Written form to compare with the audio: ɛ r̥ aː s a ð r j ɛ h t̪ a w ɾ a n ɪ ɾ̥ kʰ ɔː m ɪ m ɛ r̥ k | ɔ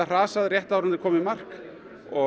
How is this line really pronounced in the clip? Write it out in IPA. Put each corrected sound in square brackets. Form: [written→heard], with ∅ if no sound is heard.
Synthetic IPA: [ɛ→a] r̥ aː s a ð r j ɛ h t̪ a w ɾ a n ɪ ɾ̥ kʰ ɔː m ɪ m [ɛ→a] r̥ k | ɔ